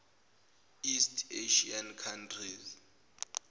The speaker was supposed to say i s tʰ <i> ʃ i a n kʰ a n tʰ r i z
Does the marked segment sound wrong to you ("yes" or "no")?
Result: yes